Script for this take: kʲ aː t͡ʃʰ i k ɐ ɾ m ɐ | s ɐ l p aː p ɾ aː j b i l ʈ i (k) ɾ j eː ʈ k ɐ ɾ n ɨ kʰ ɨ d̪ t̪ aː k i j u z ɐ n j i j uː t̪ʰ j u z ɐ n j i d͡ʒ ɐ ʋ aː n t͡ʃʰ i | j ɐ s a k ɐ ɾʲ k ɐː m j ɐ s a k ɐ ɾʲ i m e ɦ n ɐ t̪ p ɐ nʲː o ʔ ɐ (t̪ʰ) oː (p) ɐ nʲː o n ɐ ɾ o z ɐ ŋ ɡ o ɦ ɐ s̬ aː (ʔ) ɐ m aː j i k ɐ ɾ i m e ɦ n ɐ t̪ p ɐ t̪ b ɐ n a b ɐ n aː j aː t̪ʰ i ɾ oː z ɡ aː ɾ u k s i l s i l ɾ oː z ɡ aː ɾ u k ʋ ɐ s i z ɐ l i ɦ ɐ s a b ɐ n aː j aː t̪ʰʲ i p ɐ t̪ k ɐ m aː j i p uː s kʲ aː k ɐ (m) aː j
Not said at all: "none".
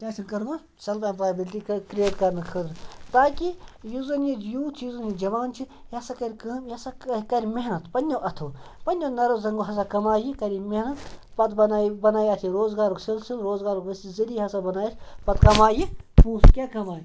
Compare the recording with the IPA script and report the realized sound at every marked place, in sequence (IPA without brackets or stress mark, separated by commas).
k, t̪ʰ, p, k, m